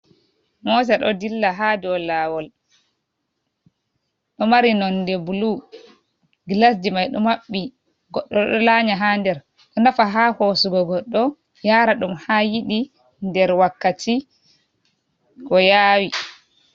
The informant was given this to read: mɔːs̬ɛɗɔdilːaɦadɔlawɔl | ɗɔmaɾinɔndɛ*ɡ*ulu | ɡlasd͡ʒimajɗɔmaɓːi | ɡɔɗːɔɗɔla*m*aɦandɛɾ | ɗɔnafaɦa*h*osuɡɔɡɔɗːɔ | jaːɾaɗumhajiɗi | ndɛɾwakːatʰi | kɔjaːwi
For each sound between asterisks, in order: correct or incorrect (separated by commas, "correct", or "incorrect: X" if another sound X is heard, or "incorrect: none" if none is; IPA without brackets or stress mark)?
incorrect: b, incorrect: ɲ, correct